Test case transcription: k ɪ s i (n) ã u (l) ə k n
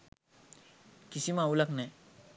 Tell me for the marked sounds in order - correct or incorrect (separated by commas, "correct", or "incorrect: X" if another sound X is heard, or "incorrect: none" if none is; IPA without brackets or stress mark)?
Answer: incorrect: m, correct